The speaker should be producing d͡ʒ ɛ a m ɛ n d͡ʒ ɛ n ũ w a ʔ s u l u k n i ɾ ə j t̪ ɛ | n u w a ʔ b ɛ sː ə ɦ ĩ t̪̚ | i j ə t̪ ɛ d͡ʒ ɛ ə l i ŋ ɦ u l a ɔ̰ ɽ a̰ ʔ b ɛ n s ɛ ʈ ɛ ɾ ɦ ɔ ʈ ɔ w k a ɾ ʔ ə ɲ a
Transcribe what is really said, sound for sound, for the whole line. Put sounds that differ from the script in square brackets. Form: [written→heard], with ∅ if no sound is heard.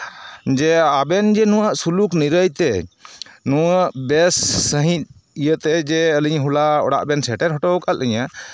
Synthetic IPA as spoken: d͡ʒ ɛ a [m→b] ɛ n d͡ʒ ɛ n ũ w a ʔ s u l u k n i ɾ ə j t̪ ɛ | n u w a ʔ b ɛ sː ə ɦ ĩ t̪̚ | i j ə t̪ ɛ d͡ʒ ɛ ə l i [ŋ→ɲ] ɦ u l a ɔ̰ ɽ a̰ ʔ b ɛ n s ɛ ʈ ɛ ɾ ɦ ɔ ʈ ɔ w k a [ɾ→l] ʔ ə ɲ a

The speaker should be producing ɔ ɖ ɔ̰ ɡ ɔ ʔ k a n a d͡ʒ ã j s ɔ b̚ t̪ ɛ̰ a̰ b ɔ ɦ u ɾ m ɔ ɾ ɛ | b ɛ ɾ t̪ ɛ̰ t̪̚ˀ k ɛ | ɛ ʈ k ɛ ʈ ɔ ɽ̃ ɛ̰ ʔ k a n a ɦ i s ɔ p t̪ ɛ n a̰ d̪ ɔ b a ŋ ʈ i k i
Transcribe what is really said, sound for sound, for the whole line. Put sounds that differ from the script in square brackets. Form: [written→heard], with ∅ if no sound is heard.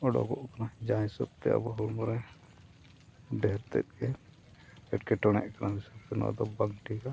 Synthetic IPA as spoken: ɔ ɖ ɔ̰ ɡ ɔ ʔ k a n a d͡ʒ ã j s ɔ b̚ t̪ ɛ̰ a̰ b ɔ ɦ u ɾ m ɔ ɾ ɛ | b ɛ ɾ t̪ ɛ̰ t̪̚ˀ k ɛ | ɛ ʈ k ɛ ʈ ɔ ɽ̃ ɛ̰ ʔ k a n a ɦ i s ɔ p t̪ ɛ n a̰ d̪ ɔ b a ŋ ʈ i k [i→a]

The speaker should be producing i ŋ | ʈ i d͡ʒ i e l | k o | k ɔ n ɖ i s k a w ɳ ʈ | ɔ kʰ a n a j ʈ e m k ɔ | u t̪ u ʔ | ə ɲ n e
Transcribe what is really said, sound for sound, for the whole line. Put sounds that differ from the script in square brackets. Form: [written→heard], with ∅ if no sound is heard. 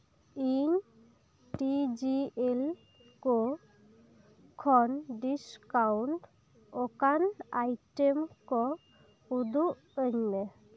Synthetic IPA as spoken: i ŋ | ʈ i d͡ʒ i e l | k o | [k→kʰ] ɔ n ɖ i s k a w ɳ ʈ | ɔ [kʰ→k] a n a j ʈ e m k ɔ | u [t̪→d̪] u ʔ | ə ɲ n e

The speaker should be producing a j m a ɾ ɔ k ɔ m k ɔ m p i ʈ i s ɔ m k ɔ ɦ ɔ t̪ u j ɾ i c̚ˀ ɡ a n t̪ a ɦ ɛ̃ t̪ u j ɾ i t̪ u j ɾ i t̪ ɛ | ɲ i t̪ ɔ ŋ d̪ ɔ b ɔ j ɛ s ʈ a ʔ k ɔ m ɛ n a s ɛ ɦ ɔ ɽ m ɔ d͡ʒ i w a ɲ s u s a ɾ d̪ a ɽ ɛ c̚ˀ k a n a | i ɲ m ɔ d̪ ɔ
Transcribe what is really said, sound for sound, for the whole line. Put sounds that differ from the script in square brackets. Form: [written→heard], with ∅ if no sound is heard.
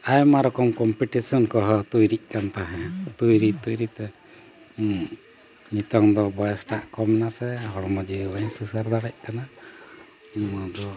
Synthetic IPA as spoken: a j m a ɾ ɔ k ɔ m k ɔ m p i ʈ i s ɔ [m→n] k ɔ ɦ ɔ t̪ u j ɾ i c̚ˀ [ɡ→k] a n t̪ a ɦ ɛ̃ t̪ u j ɾ i t̪ u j ɾ i t̪ ɛ | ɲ i t̪ ɔ ŋ d̪ ɔ b ɔ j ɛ s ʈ a ʔ k ɔ m ɛ n a s ɛ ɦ ɔ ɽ m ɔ d͡ʒ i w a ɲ s u s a ɾ d̪ a ɽ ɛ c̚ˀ k a n a | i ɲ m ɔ d̪ ɔ

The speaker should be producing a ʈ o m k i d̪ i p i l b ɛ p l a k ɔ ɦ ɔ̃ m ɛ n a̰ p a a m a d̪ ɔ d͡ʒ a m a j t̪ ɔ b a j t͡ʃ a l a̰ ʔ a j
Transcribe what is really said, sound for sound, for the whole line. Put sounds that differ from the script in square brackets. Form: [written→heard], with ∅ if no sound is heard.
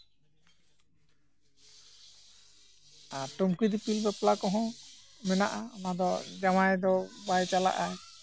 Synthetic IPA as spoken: a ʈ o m k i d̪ i p i l b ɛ p l a k ɔ ɦ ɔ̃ m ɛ n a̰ [p→ʔ] a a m a d̪ ɔ d͡ʒ a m a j [t̪→d̪] ɔ b a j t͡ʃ a l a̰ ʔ a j

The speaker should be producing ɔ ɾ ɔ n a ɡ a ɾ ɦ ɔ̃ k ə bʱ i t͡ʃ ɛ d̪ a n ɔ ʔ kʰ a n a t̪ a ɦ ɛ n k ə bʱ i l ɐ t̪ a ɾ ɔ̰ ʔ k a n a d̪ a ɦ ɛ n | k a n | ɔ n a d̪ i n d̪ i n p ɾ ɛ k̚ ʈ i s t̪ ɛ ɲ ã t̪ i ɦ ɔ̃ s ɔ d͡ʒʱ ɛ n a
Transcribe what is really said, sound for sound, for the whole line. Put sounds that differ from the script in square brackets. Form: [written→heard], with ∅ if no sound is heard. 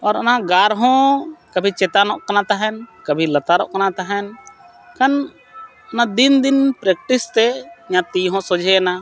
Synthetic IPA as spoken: ɔ ɾ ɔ n a ɡ a ɾ ɦ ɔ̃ k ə bʱ i t͡ʃ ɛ [d̪→t̪] a n ɔ ʔ [kʰ→k] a n a t̪ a ɦ ɛ n k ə bʱ i l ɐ t̪ a ɾ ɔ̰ ʔ k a n a [d̪→t̪] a ɦ ɛ n | k a n | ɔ n a d̪ i n d̪ i n p ɾ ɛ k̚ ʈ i s t̪ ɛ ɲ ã t̪ i ɦ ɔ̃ s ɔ d͡ʒʱ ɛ n a

